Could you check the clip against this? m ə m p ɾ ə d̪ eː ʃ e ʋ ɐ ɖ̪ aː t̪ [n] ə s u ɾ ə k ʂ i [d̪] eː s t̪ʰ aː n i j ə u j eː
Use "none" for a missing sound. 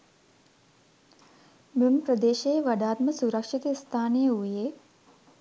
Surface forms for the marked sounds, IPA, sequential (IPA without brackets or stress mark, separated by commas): m, t̪